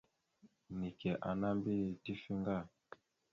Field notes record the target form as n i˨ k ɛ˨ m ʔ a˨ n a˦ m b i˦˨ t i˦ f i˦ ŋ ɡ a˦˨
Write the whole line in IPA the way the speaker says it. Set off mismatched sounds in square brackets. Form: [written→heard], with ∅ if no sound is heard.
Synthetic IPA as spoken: n i˨ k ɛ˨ [m→∅] ʔ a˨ n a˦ m b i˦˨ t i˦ f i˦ ŋ ɡ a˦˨